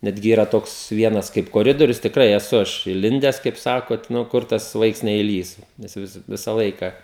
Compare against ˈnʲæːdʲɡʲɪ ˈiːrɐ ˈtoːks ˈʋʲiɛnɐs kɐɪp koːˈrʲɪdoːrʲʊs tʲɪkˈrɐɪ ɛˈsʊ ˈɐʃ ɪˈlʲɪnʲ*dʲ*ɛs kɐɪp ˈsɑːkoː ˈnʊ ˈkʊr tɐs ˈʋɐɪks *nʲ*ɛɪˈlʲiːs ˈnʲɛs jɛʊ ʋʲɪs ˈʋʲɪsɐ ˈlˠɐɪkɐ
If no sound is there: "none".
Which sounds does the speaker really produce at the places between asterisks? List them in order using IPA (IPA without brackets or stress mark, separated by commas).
dʲ, nʲ